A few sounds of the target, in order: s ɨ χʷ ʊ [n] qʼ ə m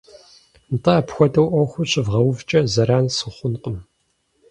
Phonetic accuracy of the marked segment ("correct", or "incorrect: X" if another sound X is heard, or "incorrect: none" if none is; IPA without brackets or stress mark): correct